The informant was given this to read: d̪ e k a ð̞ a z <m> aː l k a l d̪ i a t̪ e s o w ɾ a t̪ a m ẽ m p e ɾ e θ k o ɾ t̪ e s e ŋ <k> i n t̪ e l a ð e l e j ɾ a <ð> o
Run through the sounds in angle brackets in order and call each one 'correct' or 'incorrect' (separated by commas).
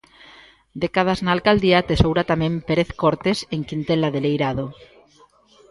incorrect, correct, correct